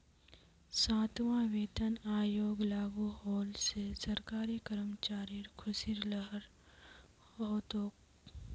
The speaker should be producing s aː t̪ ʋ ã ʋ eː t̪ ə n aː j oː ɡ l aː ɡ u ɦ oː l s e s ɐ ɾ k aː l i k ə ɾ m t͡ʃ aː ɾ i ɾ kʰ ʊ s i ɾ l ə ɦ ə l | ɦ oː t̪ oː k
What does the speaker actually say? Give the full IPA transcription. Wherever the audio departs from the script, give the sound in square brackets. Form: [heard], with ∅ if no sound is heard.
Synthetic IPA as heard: s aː t̪ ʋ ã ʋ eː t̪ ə n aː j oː ɡ l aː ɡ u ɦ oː l s e s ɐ ɾ k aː [ɾ] i k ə ɾ m t͡ʃ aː ɾ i ɾ kʰ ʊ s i ɾ l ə ɦ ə [ɾ] | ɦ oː t̪ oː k